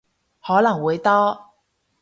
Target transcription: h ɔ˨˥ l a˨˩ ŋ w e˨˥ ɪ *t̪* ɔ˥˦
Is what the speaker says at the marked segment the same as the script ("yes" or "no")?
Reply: yes